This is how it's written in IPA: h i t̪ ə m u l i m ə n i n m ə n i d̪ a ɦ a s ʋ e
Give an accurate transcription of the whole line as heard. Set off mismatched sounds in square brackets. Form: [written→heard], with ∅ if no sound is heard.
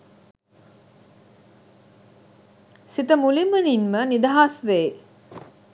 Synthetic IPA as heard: [h→s] i t̪ ə m u l i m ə n i n m ə n i d̪ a ɦ a s ʋ e